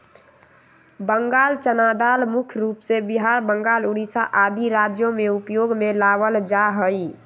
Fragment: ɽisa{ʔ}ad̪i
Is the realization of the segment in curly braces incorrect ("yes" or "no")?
no